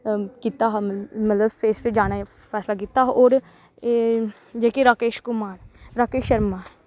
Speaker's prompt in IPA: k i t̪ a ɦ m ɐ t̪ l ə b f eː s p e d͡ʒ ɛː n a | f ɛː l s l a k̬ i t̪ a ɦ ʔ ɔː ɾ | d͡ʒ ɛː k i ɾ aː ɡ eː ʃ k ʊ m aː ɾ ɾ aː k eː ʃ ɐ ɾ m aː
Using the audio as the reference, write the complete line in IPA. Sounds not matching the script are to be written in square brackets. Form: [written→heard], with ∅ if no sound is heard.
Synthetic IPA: k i t̪ a ɦ m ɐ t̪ l ə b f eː s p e d͡ʒ [ɛː→aː] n a | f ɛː [l→∅] s l a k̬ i t̪ a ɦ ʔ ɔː ɾ | d͡ʒ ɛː k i ɾ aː [ɡ→k] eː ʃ k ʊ m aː ɾ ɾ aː k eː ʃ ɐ ɾ m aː